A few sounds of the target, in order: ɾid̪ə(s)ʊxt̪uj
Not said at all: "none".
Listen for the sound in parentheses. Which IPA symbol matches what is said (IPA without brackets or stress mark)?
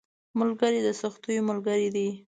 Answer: s